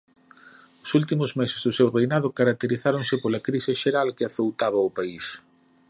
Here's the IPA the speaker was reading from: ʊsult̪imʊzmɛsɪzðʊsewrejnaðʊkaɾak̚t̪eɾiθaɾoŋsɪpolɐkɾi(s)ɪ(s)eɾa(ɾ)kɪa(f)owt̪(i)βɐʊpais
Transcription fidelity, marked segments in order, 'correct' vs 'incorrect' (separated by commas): correct, incorrect, incorrect, incorrect, incorrect